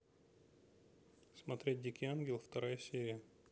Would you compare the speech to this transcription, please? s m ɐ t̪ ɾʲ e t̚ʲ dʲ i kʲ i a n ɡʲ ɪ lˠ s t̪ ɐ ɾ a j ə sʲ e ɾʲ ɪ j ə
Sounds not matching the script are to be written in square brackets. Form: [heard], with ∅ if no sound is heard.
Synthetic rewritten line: s m ɐ t̪ ɾʲ e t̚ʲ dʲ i kʲ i a n ɡʲ ɪ lˠ [f] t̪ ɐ ɾ a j ə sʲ e ɾʲ ɪ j ə